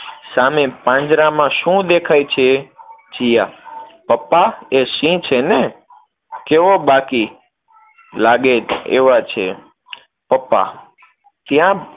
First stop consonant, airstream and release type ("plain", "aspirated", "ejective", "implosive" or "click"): plain